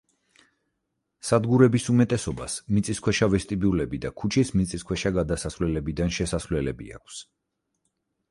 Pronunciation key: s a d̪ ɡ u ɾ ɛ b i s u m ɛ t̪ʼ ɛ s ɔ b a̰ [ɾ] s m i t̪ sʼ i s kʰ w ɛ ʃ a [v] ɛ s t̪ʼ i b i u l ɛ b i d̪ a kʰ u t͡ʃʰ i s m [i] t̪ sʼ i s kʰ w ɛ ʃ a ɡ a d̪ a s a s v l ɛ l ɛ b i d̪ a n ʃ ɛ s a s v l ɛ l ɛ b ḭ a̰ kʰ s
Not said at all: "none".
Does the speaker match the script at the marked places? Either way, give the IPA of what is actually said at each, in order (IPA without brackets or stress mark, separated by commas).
none, v, i